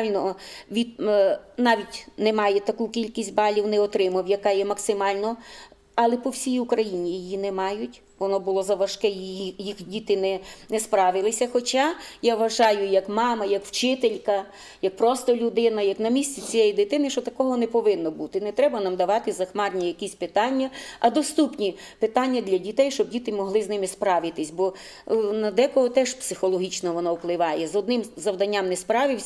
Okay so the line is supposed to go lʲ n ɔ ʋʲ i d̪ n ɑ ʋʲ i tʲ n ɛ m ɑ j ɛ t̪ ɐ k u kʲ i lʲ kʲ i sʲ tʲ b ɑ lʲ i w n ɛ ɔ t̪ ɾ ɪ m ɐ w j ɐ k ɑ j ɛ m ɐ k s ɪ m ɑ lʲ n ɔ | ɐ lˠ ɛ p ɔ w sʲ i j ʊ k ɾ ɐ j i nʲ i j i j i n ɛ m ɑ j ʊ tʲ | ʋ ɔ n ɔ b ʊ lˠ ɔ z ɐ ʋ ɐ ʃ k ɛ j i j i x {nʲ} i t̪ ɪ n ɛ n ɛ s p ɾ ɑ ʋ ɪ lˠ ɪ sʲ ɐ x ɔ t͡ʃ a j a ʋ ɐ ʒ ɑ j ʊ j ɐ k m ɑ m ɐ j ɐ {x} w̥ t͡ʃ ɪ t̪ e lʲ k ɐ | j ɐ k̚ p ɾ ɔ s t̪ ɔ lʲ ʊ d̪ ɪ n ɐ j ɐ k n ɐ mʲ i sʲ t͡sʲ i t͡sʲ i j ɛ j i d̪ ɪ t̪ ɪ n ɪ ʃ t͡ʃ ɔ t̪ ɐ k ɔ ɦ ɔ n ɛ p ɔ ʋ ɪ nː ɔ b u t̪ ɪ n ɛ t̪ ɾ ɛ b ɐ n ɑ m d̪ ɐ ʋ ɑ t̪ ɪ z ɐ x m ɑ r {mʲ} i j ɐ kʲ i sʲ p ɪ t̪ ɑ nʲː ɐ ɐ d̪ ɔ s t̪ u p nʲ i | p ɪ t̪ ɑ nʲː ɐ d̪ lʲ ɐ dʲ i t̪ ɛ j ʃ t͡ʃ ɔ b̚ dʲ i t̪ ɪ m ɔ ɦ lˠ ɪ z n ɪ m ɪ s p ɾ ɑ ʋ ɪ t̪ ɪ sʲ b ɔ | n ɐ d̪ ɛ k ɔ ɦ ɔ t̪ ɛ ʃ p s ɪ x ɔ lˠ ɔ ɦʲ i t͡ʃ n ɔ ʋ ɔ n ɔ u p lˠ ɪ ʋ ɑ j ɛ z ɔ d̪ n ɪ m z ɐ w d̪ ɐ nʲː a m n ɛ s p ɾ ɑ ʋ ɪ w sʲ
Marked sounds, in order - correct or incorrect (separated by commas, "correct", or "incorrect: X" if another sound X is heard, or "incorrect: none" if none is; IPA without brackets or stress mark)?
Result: incorrect: dʲ, incorrect: k, incorrect: nʲ